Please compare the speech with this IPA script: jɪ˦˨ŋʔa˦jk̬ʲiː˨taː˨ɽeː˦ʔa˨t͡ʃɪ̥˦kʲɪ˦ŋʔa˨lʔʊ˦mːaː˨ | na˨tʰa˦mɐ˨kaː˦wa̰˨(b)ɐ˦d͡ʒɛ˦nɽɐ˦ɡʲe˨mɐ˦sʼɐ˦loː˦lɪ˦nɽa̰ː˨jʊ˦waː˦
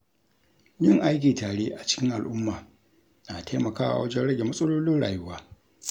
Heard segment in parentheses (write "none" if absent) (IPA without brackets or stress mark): w